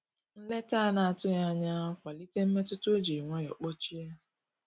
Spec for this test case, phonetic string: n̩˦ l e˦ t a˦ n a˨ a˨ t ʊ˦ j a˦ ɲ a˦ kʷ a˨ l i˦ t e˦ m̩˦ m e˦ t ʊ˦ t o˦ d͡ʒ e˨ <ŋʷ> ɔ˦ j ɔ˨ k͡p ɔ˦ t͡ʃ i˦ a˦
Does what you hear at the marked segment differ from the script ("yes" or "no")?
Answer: no